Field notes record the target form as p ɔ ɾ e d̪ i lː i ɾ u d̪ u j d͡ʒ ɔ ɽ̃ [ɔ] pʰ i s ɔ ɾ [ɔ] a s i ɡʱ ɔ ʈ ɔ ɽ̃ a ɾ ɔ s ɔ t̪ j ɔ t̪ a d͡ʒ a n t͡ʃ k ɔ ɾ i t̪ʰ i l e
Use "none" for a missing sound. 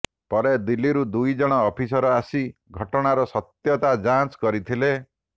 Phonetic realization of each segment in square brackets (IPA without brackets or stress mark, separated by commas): ɔː, ɔ